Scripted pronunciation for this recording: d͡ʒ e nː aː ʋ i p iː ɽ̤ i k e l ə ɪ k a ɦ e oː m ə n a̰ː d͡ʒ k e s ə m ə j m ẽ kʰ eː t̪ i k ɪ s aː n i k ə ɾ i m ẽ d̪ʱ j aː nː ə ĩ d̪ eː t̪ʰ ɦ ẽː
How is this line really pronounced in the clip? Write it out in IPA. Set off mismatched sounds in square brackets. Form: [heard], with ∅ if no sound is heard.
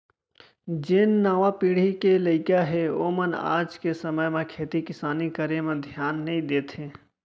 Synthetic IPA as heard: d͡ʒ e nː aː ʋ [a] p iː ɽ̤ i k e l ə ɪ k a ɦ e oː m ə n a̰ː d͡ʒ k e s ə m ə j m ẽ kʰ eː t̪ i k ɪ s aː n i k ə ɾ [e] m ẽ d̪ʱ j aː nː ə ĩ d̪ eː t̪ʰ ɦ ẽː